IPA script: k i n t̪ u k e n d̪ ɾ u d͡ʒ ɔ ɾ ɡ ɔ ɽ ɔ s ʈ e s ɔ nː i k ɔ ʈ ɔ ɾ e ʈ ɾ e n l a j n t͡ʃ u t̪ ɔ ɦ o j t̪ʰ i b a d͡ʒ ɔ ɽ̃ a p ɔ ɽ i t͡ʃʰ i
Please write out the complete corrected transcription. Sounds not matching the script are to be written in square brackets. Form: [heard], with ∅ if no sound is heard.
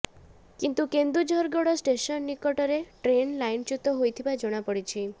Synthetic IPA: k i n t̪ u k e n d̪ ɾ u d͡ʒ ɔ ɾ ɡ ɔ ɽ ɔ s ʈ e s ɔ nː i k ɔ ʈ ɔ ɾ e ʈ ɾ e n l a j n t͡ʃ u t̪ ɔ ɦ o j t̪ʰ i b a d͡ʒ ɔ ɽ̃ a p ɔ ɽ i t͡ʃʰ i

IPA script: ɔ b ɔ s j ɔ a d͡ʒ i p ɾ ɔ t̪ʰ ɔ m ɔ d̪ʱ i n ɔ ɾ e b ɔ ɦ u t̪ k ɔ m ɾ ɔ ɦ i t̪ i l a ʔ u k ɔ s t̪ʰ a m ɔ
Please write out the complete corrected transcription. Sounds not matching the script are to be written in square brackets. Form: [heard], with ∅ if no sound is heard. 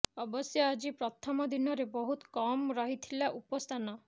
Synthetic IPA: ɔ b ɔ s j ɔ a d͡ʒ i p ɾ ɔ t̪ʰ ɔ m ɔ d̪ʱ i n ɔ ɾ e b ɔ ɦ u t̪ k ɔ m ɾ ɔ ɦ i [t̪ʰ] i l a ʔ u [p] ɔ s t̪ʰ a [n] ɔ

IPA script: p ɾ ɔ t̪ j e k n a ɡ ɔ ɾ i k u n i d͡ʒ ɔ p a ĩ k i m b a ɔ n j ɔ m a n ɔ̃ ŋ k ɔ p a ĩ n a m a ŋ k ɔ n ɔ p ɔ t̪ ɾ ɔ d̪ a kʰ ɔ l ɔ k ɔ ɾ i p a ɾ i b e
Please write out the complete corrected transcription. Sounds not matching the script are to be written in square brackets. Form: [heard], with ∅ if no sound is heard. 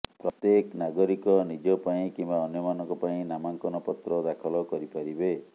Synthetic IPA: p ɾ ɔ t̪ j e k n a ɡ ɔ ɾ i k [ɔ] n i d͡ʒ ɔ p a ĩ k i m b a ɔ n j ɔ m a n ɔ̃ ŋ k ɔ p a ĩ n a m a ŋ k ɔ n ɔ p ɔ t̪ ɾ ɔ d̪ a kʰ ɔ l ɔ k ɔ ɾ i p a ɾ i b e

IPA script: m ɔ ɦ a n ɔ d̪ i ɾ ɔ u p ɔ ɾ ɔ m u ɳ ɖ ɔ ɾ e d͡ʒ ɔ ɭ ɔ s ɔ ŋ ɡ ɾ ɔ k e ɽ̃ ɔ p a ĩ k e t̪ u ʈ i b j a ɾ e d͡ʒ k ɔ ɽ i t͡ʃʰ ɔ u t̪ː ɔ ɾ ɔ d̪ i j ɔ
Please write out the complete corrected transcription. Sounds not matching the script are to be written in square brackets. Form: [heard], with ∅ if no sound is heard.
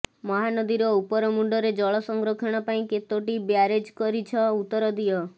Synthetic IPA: m ɔ ɦ a n ɔ d̪ i ɾ ɔ u p ɔ ɾ ɔ m u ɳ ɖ ɔ ɾ e d͡ʒ ɔ ɭ ɔ s ɔ ŋ ɡ ɾ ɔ [kʰ] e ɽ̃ ɔ p a ĩ k e t̪ [o] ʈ i b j a ɾ e d͡ʒ k ɔ [ɾ] i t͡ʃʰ ɔ u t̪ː ɔ ɾ ɔ d̪ i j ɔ

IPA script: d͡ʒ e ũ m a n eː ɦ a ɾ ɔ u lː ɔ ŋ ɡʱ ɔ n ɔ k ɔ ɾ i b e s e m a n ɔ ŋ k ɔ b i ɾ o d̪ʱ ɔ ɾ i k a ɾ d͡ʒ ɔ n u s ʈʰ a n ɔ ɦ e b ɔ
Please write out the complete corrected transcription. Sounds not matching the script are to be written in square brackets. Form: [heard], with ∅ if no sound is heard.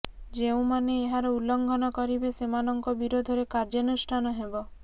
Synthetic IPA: d͡ʒ e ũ m a n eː ɦ a ɾ ɔ u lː ɔ ŋ ɡʱ ɔ n ɔ k ɔ ɾ i b e s e m a n ɔ ŋ k ɔ b i ɾ o d̪ʱ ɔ ɾ [e] k a ɾ d͡ʒ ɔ n u s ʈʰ a n ɔ ɦ e b ɔ

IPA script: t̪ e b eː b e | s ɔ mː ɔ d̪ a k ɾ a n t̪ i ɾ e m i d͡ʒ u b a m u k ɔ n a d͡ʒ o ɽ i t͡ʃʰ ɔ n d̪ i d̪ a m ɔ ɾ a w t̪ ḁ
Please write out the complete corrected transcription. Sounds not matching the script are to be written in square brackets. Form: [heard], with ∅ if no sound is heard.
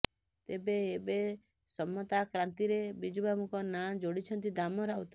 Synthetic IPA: t̪ e b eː b e | s ɔ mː ɔ [t̪] a k ɾ a n t̪ i ɾ e [b] i d͡ʒ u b a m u k ɔ n a d͡ʒ o ɽ i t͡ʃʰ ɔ n [t̪] i d̪ a m ɔ ɾ a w t̪ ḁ

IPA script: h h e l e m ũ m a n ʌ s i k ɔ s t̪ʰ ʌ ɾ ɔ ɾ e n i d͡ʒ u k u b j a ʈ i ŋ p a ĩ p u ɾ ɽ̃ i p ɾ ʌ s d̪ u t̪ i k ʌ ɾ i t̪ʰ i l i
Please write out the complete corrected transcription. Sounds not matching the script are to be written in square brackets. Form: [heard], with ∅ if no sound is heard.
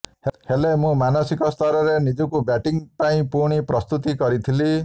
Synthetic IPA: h h e l e m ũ m a n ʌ s i k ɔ s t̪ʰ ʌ ɾ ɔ ɾ e n i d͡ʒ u k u b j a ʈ i ŋ p a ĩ p u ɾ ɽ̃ i p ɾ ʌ s [t̪] u t̪ i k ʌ ɾ i t̪ʰ i l i

